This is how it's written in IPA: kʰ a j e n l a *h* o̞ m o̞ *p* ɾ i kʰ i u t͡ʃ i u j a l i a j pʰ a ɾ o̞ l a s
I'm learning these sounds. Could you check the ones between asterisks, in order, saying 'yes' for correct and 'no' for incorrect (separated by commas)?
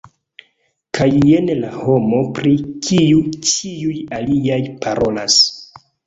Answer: yes, yes